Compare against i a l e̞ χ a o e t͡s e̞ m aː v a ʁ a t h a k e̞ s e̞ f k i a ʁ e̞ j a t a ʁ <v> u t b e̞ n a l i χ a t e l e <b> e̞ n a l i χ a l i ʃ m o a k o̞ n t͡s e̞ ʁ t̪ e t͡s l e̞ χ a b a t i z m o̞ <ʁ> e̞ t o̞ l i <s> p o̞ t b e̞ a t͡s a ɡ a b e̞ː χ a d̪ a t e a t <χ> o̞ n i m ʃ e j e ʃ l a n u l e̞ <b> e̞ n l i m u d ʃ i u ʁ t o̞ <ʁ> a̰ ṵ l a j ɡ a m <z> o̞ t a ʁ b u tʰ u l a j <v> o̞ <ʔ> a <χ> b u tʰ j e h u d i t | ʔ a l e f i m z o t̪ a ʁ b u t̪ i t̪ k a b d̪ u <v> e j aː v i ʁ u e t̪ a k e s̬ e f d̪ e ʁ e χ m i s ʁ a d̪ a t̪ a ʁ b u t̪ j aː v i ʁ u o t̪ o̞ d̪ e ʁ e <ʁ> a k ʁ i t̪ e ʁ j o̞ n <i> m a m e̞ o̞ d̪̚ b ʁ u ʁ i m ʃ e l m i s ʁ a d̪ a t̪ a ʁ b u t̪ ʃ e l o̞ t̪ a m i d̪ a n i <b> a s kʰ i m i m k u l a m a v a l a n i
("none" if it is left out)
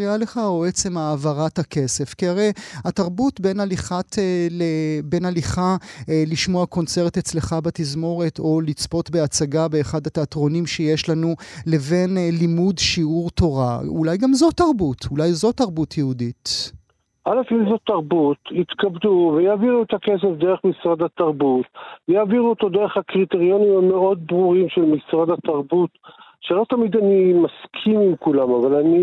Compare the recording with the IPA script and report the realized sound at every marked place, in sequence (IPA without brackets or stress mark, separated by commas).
b, b, ʁ, t͡s, ʁ, v, ʁ, z, z, t, ʁ, v, χ, i, m